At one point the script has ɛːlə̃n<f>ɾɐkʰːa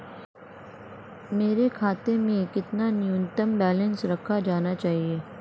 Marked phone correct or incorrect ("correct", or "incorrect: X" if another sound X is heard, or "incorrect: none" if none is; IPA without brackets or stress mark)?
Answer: incorrect: s